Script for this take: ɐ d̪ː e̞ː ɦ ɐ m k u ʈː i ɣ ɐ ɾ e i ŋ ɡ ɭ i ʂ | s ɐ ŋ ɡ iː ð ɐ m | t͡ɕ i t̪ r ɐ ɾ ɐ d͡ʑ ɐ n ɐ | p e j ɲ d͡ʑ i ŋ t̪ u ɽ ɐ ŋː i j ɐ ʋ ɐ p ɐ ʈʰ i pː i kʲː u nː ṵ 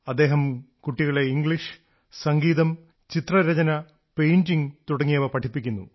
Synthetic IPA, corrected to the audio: ɐ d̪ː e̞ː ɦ ɐ m k u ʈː i ɣ ɐ ɭ e i ŋ ɡ ɭ i ʂ | s ɐ ŋ ɡ iː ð ɐ m | t͡ɕ i t̪ r ɐ ɾ ɐ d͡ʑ ɐ n ɐ | p e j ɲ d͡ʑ i ŋ t̪ u ɽ ɐ ŋː i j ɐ ʋ ɐ p ɐ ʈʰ i pː i kʲː u nː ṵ